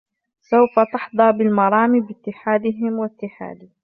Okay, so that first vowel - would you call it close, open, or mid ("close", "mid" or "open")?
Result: open